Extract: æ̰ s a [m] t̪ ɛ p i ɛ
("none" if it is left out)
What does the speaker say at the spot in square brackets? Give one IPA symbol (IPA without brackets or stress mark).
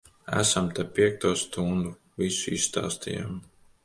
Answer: m